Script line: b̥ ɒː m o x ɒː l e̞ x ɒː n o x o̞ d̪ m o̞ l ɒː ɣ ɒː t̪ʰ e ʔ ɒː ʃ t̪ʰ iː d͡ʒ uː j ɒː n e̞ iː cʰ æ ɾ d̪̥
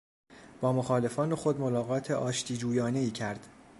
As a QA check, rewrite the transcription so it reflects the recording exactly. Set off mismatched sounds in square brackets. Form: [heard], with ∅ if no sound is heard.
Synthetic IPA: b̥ ɒː m o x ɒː l e̞ [f] ɒː n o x o̞ d̪ m o̞ l ɒː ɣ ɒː t̪ʰ e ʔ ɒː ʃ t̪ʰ iː d͡ʒ uː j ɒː n e̞ iː cʰ æ ɾ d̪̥